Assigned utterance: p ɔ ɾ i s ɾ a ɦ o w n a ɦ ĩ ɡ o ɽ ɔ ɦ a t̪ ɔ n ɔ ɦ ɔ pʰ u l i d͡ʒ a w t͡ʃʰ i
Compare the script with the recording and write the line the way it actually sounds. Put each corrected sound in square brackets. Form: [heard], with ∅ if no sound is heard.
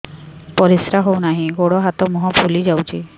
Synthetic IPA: p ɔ ɾ i s ɾ a ɦ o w n a ɦ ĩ ɡ o ɽ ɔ ɦ a t̪ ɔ [m] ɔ ɦ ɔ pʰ u l i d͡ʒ a w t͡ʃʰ i